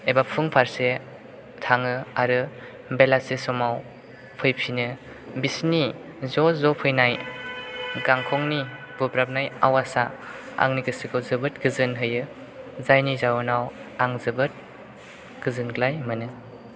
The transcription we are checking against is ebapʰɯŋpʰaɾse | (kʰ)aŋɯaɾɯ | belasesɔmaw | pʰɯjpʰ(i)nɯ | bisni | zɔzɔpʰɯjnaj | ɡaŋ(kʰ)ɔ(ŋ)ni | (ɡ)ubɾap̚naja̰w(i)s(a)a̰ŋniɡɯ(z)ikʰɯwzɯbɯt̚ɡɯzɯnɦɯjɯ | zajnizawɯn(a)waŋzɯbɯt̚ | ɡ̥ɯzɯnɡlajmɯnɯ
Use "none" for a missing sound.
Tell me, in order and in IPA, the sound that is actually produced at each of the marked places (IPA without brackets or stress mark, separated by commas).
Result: tʰ, i, kʰ, ŋ, b, a, a, s, a